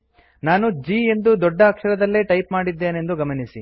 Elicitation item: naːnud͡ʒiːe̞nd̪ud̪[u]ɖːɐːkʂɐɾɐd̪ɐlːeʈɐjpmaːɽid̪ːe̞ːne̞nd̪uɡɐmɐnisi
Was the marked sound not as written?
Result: yes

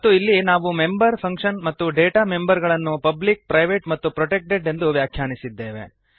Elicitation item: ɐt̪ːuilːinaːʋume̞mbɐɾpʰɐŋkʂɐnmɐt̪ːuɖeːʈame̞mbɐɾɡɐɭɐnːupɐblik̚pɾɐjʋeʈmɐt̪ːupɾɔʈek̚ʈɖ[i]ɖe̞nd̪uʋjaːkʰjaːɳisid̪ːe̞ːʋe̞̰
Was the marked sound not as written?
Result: yes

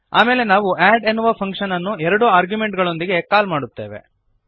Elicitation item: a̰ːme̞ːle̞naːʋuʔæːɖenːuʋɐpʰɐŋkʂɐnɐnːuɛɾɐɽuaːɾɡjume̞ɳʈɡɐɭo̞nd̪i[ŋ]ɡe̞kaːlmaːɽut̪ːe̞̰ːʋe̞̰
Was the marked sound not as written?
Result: yes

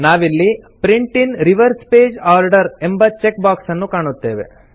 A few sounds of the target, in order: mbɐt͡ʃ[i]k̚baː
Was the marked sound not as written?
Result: yes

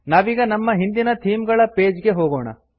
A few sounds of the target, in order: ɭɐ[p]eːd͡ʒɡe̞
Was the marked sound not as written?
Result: no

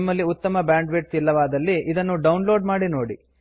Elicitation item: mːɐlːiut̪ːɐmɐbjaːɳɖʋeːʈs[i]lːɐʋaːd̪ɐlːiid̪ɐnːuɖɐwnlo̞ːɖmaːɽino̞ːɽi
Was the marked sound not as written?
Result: no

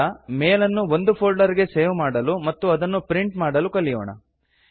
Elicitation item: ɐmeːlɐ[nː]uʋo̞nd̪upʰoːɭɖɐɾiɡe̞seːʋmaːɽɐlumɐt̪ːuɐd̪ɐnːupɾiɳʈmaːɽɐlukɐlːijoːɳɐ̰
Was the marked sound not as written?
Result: no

